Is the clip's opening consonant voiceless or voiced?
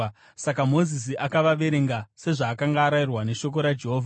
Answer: voiceless